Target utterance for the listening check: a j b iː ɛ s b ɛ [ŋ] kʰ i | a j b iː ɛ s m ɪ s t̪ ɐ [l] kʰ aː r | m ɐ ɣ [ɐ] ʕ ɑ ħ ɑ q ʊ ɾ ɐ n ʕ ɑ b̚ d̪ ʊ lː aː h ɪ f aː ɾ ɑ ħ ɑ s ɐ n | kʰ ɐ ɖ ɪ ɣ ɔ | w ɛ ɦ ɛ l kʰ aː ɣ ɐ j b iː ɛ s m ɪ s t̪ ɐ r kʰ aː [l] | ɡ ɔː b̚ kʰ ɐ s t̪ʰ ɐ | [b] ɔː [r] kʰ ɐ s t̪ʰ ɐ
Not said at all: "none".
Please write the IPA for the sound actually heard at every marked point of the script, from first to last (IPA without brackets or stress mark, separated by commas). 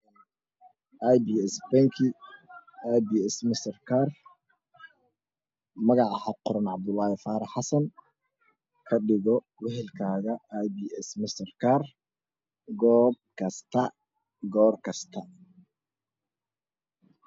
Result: ŋ, r, ɑ, r, ɡ, r